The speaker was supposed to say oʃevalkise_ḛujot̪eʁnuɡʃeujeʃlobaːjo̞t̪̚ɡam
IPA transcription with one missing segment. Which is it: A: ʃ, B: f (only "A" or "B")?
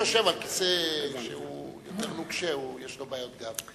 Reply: A